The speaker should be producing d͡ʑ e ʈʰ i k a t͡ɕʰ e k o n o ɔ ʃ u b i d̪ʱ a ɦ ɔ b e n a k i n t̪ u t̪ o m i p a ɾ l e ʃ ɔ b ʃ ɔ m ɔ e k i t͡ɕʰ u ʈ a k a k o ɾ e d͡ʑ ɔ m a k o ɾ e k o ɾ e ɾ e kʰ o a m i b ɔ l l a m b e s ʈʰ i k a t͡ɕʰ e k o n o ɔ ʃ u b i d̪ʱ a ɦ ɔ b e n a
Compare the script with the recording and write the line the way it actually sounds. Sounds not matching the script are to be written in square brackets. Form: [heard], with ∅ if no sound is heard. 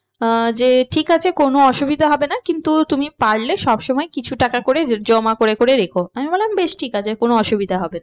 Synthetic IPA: d͡ʑ e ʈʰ i k a t͡ɕʰ e k o n o ɔ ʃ u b i d̪ʱ a ɦ ɔ b e n a k i n t̪ u t̪ [u] m i p a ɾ l e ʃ ɔ b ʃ ɔ m ɔ e k i t͡ɕʰ u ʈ a k a k o ɾ e d͡ʑ ɔ m a k o ɾ e k o ɾ e ɾ e kʰ o a m i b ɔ l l a m b e [ʃ] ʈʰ i k a t͡ɕʰ e k o n o ɔ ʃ u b i d̪ʱ a ɦ ɔ b e n a